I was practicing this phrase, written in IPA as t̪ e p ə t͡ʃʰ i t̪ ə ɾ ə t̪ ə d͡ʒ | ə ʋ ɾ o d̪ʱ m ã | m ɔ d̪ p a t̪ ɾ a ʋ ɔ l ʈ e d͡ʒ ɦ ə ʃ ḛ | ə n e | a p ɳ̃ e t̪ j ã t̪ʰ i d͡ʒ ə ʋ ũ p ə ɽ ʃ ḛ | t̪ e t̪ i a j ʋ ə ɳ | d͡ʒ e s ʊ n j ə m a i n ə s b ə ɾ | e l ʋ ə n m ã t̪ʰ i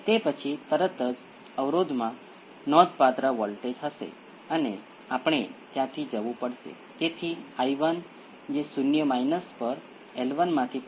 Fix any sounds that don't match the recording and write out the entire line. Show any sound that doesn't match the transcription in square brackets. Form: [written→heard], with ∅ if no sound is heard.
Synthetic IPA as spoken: t̪ e p ə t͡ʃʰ i t̪ ə ɾ ə t̪ ə d͡ʒ | ə ʋ ɾ o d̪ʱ m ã | [m→n] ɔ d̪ p a t̪ ɾ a ʋ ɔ l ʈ e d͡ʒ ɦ ə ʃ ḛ | ə n e | a p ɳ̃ e t̪ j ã t̪ʰ i d͡ʒ ə ʋ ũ p ə ɽ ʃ ḛ | t̪ e [t̪→t̪ʰ] i a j ʋ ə [ɳ→n] | d͡ʒ e s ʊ n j ə m a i n ə s [b→p] ə ɾ | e l ʋ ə n m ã t̪ʰ i